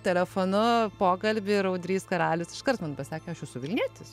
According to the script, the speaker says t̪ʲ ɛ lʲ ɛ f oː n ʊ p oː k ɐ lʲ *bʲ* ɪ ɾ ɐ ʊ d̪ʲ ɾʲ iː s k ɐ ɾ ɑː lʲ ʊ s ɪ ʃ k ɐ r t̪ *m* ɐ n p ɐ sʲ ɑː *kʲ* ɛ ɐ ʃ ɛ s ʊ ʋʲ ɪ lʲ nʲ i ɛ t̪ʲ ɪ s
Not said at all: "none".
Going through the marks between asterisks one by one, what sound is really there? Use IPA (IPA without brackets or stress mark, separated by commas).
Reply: bʲ, m, kʲ